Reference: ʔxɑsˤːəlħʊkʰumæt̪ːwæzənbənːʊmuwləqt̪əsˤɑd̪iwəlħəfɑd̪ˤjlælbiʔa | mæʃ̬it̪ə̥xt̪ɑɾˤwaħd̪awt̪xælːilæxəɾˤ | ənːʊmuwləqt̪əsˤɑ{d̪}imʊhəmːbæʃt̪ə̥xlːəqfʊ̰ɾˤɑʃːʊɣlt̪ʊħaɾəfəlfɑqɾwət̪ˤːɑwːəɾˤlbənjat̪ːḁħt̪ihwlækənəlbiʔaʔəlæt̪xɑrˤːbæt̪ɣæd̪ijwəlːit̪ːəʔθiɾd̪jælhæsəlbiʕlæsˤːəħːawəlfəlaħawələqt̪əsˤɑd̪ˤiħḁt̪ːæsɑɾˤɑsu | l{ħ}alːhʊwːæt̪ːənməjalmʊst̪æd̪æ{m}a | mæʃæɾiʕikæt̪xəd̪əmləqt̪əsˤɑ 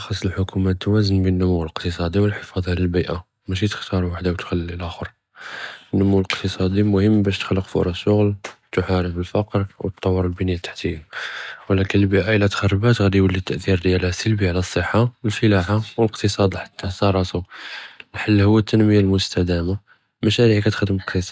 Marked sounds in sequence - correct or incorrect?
correct, correct, correct

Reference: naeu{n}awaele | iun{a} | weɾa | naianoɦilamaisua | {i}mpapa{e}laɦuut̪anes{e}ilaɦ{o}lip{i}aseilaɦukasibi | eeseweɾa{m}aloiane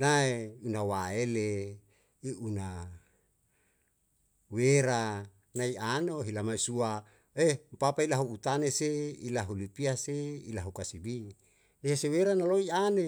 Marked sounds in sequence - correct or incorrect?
correct, correct, incorrect: e, incorrect: i, correct, incorrect: u, correct, incorrect: n

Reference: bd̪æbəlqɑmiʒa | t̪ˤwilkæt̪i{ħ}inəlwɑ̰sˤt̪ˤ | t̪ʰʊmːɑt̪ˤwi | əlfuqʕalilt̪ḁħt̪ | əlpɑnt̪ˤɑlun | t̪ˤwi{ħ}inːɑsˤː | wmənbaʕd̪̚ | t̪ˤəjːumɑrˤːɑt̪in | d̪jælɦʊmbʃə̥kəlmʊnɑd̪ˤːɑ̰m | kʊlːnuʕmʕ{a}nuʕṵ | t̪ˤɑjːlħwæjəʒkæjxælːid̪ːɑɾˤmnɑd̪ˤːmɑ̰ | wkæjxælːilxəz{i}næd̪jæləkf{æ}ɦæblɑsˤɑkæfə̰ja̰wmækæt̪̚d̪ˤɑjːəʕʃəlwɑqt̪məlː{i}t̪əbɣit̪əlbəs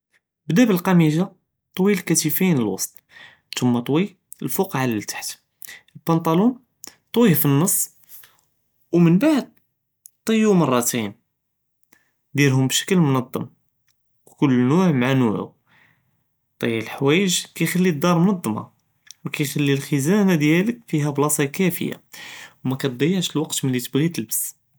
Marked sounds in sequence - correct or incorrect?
incorrect: f, incorrect: f, correct, incorrect: æ, incorrect: i, correct

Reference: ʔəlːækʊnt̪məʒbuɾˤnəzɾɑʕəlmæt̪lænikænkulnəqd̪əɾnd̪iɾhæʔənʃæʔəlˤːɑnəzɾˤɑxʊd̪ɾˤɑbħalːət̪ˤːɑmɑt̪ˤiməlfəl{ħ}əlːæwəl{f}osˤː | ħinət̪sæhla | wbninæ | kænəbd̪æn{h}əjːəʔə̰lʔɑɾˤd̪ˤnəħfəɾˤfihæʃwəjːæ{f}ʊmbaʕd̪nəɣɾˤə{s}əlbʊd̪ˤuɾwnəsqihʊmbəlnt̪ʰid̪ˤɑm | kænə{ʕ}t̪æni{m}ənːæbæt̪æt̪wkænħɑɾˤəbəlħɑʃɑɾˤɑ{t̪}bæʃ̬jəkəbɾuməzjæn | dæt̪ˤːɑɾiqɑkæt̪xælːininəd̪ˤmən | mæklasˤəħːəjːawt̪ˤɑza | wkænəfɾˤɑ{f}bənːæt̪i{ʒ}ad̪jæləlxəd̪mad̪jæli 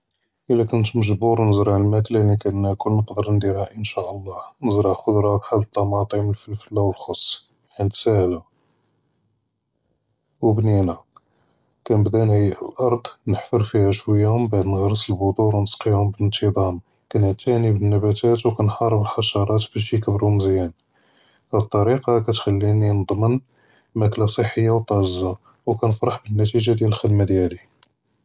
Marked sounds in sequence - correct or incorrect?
incorrect: f, incorrect: x, correct, incorrect: h, correct, correct, incorrect: b, correct, incorrect: ħ, correct

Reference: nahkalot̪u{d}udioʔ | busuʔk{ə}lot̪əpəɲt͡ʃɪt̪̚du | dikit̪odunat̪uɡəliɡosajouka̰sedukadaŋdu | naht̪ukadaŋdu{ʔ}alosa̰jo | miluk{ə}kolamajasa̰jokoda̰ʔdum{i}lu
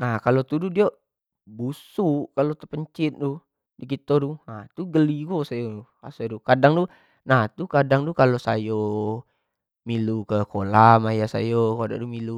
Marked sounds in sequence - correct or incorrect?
correct, incorrect: a, incorrect: k, correct, correct

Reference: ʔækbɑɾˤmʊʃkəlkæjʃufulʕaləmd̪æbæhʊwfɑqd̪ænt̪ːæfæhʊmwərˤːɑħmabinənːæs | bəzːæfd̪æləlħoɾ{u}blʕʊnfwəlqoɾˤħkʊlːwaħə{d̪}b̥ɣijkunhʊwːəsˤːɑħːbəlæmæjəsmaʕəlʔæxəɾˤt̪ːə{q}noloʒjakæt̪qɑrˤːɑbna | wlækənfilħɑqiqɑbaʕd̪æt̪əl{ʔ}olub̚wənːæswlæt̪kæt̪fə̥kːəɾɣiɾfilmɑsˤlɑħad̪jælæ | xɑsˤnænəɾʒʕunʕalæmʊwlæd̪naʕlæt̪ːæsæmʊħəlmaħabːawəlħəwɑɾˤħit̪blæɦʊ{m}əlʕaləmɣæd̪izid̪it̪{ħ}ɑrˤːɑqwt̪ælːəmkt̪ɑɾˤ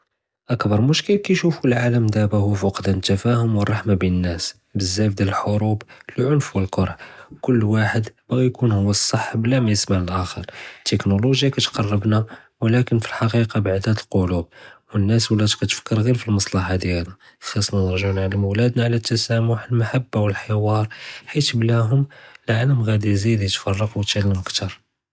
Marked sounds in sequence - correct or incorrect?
correct, correct, incorrect: k, incorrect: q, correct, incorrect: f

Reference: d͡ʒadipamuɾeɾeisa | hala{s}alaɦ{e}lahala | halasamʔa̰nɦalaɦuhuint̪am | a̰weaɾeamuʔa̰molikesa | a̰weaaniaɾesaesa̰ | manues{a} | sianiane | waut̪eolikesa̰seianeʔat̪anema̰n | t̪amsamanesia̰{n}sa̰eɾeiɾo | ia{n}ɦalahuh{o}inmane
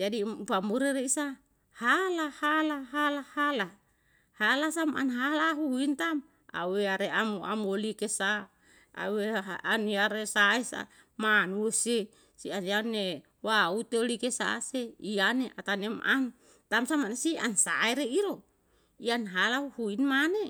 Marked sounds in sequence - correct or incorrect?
incorrect: h, incorrect: a, incorrect: e, correct, correct, incorrect: u

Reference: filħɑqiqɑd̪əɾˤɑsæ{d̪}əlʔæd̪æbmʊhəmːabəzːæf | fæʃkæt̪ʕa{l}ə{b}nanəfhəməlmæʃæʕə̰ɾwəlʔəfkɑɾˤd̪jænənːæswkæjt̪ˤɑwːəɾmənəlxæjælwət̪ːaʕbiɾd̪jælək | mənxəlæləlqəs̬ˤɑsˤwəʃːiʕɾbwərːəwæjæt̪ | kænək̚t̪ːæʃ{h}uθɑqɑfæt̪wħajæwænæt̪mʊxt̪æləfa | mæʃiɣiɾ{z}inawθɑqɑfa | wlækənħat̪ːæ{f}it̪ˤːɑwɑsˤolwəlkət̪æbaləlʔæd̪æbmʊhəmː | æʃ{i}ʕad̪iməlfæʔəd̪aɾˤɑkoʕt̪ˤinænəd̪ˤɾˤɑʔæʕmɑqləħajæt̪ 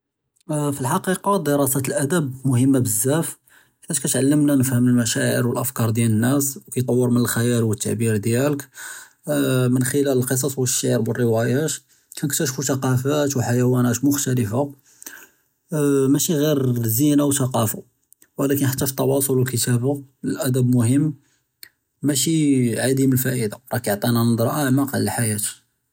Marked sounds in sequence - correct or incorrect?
incorrect: t̪, incorrect: lː, incorrect: m, incorrect: f, correct, correct, correct

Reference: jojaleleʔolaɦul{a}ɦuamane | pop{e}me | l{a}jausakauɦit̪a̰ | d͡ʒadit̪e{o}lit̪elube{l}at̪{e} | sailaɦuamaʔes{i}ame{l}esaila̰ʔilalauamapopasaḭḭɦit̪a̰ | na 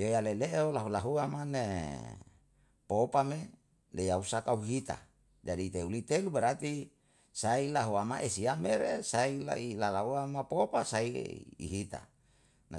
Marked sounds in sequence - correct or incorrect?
correct, incorrect: a, incorrect: e, incorrect: u, incorrect: ɾ, incorrect: i, correct, incorrect: ɾ

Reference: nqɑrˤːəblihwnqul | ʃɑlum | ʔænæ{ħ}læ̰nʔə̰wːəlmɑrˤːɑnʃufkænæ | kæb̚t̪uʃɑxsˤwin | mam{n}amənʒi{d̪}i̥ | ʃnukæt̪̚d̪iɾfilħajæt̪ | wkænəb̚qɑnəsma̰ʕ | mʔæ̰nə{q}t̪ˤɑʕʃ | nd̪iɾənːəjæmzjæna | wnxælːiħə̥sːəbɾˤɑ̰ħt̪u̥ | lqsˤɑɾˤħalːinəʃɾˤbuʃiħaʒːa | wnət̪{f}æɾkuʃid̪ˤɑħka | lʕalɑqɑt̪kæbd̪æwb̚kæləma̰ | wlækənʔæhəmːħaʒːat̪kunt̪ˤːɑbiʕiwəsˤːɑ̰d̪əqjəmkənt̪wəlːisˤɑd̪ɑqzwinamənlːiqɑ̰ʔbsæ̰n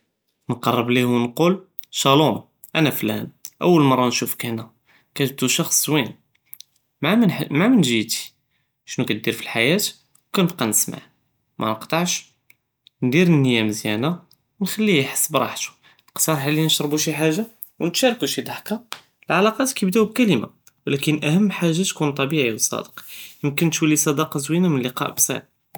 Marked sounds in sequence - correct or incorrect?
incorrect: f, incorrect: m, incorrect: t̪, correct, incorrect: ʃ

